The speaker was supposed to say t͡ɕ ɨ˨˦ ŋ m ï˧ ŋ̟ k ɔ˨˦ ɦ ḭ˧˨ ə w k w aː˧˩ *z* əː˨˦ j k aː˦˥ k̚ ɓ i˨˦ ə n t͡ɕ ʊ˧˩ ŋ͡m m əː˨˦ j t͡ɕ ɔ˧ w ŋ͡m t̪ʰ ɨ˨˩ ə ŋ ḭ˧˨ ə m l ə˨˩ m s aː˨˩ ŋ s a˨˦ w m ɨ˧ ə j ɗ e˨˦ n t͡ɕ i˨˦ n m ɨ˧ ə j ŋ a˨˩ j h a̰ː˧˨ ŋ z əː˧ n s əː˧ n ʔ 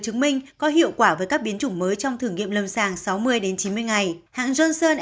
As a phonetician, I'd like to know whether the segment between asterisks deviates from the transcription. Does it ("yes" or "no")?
yes